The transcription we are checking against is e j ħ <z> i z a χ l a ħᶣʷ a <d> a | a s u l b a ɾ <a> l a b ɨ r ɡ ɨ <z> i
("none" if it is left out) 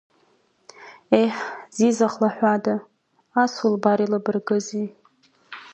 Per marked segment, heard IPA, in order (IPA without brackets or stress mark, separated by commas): z, d, i, z